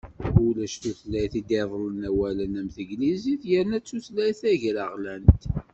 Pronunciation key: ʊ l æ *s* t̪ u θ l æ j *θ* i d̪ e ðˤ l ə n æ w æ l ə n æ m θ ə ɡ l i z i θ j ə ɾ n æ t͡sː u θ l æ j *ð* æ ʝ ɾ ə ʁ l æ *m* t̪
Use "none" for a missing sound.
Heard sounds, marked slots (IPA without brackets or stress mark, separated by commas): ʃ, θ, θ, n